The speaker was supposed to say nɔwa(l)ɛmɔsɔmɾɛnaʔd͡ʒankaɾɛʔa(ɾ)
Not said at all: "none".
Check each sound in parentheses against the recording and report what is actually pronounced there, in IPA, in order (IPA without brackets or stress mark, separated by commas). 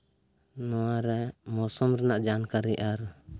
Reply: ɾ, ɾ